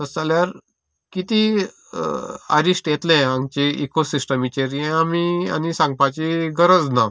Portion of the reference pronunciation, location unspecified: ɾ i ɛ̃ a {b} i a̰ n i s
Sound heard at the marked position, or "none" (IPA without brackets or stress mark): m